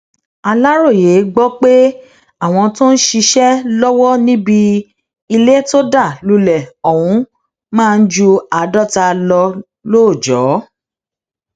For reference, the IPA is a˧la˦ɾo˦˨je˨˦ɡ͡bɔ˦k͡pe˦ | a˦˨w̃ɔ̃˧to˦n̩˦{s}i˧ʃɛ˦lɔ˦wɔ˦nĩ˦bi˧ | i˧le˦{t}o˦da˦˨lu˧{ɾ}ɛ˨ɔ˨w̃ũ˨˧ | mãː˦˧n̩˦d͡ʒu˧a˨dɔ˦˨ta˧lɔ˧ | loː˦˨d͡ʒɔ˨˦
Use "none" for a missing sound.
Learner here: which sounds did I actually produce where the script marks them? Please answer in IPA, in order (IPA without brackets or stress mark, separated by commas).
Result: ʃ, t, l